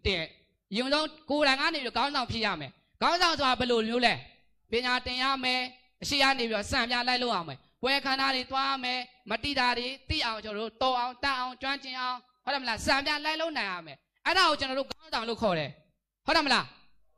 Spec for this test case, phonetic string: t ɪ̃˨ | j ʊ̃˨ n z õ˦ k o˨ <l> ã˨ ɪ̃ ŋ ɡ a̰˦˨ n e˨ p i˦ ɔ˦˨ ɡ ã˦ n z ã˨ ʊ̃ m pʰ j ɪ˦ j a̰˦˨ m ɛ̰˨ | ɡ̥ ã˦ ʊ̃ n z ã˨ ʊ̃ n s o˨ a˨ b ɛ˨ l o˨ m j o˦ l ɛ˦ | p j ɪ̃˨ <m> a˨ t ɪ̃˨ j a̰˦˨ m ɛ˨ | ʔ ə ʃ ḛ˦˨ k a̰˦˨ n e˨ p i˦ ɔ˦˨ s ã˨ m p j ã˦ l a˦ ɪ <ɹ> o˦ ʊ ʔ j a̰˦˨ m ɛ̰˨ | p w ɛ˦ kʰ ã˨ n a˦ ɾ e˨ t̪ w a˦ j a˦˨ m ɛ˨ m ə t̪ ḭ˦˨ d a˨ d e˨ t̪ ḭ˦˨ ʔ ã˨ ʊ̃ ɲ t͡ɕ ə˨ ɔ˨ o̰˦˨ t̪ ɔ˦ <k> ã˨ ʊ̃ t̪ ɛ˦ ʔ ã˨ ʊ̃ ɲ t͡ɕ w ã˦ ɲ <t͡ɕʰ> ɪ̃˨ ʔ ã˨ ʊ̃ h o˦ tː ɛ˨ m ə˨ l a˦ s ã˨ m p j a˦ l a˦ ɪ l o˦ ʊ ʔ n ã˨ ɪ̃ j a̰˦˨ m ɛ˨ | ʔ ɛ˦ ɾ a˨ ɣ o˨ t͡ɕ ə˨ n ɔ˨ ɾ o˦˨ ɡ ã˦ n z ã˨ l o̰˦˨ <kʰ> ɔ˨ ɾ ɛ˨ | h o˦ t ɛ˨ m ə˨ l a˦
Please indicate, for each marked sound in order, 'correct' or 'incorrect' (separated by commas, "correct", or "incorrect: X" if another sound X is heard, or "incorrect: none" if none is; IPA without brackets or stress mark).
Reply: incorrect: ɾ, incorrect: ɲ, incorrect: l, incorrect: ʔ, incorrect: t͡ɕ, correct